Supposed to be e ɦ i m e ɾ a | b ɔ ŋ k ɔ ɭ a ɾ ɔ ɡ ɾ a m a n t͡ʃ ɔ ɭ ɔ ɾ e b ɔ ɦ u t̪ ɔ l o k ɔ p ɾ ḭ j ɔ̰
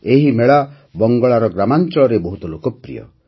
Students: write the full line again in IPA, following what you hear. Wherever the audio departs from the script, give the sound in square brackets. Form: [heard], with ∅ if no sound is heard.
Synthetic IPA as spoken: e ɦ i m e [ɭ] a | b ɔ ŋ [ɡ] ɔ ɭ a ɾ ɔ ɡ ɾ a m a n t͡ʃ ɔ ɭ ɔ ɾ e b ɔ ɦ u t̪ ɔ l o k ɔ p ɾ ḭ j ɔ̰